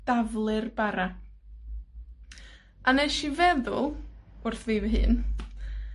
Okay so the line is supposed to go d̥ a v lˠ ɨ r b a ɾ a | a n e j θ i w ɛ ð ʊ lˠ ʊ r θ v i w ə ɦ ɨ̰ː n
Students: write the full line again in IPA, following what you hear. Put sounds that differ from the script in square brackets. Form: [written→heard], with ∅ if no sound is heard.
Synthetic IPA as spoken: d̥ a v lˠ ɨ r b a ɾ a | a n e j [θ→ʃ] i [w→v] ɛ ð ʊ lˠ ʊ r θ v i [w→v] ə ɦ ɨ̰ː n

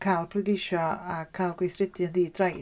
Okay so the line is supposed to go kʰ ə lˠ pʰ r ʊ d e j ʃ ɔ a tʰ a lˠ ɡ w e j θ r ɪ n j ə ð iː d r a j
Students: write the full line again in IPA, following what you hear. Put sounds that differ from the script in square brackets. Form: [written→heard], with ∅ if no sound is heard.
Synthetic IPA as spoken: kʰ [ə→a] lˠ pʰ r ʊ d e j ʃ ɔ a [tʰ→kʰ] a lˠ ɡ w e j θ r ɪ [n→d] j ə ð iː d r a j

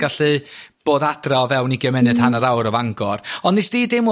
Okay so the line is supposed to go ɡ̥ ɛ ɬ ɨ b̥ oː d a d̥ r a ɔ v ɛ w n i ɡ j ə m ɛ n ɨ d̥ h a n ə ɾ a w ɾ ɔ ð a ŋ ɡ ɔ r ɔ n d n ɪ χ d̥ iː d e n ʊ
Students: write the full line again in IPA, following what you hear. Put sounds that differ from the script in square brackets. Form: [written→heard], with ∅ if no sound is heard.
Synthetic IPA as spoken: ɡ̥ [ɛ→a] ɬ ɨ b̥ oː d a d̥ r a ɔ v ɛ w n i ɡ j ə m ɛ n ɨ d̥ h a n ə ɾ a w ɾ ɔ [ð→v] a ŋ ɡ ɔ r ɔ n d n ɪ [χ→s] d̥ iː d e [n→m] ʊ

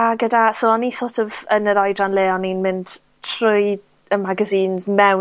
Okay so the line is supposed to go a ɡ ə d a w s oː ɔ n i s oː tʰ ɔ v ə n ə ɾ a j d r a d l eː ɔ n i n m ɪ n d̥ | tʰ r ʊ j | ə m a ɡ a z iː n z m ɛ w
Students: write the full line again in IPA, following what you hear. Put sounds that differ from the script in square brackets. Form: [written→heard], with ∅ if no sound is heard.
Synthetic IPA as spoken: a ɡ ə d a [w→∅] s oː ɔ n i s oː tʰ ɔ v ə n ə ɾ a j d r a [d→n] l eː ɔ n i n m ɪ n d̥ | tʰ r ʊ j | ə m a ɡ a z iː n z m ɛ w

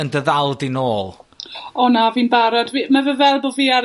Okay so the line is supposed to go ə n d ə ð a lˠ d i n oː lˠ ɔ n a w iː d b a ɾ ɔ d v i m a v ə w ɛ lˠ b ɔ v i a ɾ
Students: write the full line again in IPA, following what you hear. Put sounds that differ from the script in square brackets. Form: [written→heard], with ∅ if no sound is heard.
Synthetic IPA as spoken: ə n d ə ð a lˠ d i n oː lˠ ɔ n a [w→v] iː [d→n] b a ɾ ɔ d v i m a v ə [w→v] ɛ lˠ b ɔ v i a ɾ

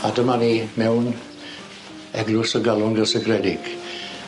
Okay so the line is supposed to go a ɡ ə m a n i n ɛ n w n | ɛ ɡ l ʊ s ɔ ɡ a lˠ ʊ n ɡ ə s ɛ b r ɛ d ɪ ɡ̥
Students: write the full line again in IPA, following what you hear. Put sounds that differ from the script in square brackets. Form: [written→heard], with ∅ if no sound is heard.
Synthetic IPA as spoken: a [ɡ→d] ə m a n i [n→m] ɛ [n→∅] w n | ɛ ɡ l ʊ s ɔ ɡ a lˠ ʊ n ɡ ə s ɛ [b→ɡ] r ɛ d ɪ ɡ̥

